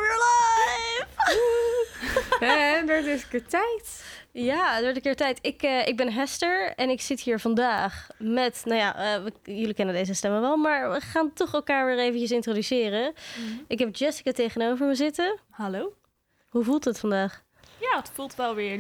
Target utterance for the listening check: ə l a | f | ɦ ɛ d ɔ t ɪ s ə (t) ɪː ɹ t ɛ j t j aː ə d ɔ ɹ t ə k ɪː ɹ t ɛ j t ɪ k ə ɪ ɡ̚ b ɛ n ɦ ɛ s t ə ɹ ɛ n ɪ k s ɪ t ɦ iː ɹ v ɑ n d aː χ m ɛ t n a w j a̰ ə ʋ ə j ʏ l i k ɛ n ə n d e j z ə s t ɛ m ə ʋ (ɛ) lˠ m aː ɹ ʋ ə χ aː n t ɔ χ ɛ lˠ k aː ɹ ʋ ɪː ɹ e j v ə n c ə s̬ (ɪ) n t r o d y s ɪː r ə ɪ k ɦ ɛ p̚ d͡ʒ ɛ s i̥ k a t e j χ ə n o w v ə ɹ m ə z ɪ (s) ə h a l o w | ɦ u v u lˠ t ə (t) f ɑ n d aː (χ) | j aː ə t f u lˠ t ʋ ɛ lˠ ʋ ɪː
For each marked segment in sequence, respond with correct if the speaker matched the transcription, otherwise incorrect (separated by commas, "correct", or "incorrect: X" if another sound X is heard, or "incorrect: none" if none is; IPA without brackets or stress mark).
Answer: incorrect: k, correct, correct, incorrect: t, correct, correct